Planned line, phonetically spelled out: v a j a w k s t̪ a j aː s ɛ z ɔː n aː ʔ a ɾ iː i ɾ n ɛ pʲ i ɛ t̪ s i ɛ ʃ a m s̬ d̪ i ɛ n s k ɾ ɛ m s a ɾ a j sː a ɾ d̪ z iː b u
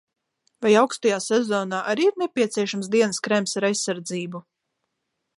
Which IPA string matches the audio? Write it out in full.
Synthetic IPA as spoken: v a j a w k s t̪ a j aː s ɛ z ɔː n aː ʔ a ɾ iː i ɾ n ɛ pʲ i ɛ t̪ s i ɛ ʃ a m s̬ d̪ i ɛ n s k ɾ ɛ m s a ɾ a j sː a ɾ d̪ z iː b u